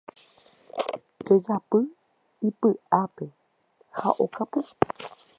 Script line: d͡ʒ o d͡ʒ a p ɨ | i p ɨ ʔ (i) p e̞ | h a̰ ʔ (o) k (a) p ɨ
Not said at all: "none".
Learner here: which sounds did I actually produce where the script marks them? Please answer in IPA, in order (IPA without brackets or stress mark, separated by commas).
a, o, a